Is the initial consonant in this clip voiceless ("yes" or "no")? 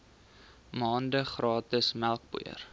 no